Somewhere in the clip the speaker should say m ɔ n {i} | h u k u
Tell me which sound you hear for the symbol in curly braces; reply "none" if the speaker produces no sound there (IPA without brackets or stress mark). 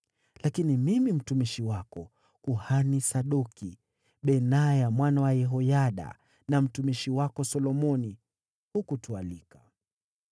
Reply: i